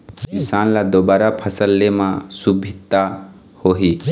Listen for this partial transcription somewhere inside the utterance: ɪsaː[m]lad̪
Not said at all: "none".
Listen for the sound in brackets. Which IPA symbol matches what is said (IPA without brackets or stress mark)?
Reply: n